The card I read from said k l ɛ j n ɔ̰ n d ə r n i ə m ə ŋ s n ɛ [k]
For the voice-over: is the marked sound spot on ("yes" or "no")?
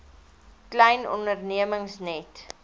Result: no